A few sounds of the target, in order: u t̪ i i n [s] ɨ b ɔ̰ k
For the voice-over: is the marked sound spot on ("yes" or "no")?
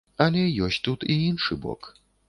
no